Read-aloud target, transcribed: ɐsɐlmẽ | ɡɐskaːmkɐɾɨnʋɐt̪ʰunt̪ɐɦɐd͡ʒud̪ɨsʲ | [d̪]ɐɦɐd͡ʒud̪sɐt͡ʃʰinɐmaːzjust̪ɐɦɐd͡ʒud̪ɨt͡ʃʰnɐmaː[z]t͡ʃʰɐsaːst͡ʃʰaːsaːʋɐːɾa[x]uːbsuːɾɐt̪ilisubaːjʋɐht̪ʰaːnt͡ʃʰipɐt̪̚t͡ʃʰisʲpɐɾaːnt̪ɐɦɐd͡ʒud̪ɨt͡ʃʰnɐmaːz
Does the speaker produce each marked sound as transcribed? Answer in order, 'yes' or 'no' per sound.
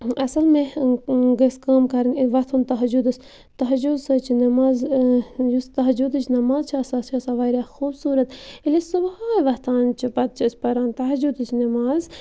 no, yes, yes

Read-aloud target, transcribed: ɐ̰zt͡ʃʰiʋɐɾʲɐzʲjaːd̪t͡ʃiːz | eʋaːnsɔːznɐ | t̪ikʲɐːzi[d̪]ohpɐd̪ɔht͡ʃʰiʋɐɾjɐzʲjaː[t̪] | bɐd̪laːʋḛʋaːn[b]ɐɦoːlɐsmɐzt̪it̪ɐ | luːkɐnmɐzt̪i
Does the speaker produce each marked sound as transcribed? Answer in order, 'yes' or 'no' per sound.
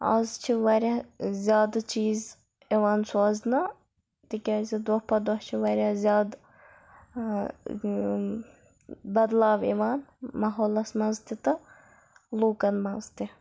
yes, no, no

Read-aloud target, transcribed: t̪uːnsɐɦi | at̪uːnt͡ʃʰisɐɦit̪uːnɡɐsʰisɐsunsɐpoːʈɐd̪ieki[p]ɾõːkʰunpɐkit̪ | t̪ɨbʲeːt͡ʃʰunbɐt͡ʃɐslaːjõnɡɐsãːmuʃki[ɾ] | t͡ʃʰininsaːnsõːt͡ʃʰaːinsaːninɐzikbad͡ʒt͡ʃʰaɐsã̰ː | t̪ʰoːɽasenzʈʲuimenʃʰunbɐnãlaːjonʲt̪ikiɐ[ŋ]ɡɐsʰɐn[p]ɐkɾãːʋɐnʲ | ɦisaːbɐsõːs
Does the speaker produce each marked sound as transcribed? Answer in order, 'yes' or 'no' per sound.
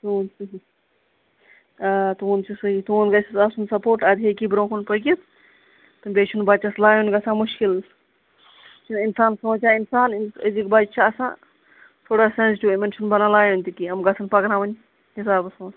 no, no, no, yes

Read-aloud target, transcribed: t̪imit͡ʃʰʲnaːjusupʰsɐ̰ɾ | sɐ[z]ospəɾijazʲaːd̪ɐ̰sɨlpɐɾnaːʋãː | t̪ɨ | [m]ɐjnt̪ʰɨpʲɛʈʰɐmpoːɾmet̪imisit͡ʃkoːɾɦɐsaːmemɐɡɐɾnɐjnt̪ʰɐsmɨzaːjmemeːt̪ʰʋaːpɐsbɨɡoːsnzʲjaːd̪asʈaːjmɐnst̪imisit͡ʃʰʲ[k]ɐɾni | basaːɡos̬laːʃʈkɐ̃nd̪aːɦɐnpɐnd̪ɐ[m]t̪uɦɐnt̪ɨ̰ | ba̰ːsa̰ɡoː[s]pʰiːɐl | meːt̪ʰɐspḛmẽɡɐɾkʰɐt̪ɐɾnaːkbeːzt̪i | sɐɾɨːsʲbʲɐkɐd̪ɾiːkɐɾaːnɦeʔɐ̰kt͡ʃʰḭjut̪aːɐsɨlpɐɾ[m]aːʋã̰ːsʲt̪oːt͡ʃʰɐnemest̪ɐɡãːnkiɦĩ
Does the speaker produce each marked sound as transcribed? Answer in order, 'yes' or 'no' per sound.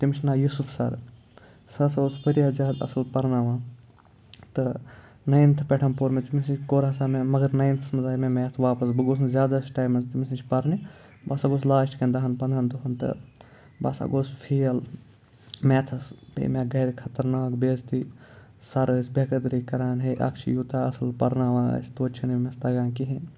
no, no, no, no, yes, no

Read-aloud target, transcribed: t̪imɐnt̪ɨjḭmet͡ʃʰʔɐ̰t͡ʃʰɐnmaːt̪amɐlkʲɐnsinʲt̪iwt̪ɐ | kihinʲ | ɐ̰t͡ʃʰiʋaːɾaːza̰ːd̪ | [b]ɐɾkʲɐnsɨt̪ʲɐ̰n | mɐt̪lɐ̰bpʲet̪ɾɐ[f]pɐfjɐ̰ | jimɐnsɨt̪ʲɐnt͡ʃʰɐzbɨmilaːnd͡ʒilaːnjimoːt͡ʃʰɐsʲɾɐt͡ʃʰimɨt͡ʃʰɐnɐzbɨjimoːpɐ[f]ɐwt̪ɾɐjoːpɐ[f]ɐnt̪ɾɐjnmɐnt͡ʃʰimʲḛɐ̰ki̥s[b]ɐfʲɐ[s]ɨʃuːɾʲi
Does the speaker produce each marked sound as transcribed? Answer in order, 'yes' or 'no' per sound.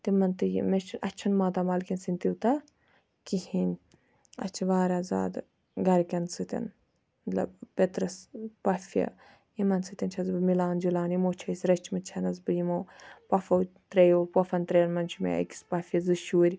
no, no, yes, yes, no, no

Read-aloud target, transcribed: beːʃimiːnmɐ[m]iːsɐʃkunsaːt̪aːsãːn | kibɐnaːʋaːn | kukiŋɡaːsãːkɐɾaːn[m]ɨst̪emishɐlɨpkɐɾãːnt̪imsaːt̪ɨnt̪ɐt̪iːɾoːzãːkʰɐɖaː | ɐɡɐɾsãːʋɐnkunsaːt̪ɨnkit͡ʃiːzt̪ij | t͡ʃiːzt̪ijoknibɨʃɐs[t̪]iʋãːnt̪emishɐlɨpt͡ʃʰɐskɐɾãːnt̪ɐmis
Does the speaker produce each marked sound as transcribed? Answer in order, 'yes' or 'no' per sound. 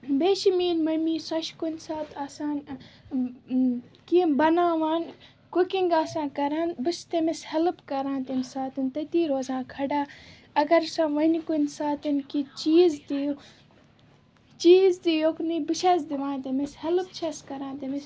yes, no, no

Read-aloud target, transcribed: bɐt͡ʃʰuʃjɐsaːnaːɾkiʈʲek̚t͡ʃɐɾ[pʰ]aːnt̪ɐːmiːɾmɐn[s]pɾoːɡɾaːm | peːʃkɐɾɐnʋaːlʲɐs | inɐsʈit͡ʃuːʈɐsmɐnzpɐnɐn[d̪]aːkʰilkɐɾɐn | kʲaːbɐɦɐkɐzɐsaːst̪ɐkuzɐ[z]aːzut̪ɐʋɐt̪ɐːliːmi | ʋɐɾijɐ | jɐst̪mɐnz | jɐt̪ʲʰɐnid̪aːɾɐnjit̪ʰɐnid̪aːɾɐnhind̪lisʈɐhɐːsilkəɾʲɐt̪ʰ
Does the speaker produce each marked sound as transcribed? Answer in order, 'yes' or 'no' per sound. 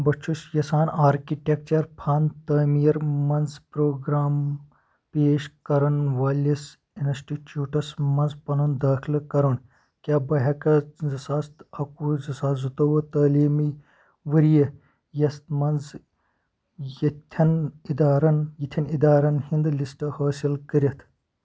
yes, no, yes, no

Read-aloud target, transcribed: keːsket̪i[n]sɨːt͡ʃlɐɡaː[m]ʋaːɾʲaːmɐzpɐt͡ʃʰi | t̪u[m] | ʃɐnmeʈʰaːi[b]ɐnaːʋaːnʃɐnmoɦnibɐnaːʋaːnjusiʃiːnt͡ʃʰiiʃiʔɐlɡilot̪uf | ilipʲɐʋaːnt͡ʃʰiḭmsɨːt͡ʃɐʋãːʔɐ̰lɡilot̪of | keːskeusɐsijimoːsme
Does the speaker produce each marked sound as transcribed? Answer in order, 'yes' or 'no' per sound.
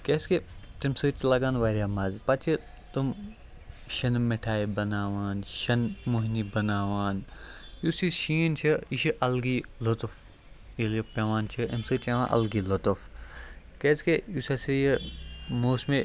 no, no, yes, yes

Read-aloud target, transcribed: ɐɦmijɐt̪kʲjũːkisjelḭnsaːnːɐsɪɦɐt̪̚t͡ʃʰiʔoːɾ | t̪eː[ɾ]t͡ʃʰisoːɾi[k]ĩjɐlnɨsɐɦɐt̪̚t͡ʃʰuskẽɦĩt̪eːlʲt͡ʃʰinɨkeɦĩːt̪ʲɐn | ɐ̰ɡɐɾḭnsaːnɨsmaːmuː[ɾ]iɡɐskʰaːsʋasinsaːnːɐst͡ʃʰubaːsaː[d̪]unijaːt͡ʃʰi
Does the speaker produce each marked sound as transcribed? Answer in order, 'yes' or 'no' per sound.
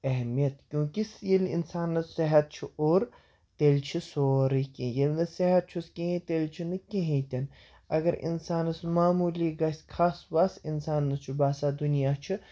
no, yes, no, yes

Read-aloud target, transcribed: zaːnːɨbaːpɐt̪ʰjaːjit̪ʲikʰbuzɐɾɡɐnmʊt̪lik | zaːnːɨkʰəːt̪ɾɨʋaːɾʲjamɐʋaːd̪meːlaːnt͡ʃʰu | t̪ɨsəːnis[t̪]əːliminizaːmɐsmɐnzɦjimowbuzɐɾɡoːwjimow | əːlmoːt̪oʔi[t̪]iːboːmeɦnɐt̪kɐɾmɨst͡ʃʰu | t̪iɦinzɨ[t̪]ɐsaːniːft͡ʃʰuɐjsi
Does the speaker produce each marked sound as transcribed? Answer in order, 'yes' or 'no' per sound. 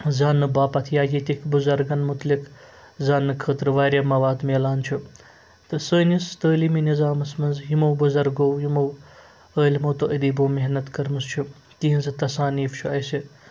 yes, no, yes

